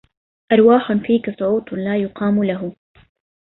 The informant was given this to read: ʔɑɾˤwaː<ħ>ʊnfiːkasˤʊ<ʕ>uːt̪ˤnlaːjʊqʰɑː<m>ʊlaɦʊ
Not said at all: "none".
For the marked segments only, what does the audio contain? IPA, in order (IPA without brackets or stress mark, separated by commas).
ħ, ʕ, m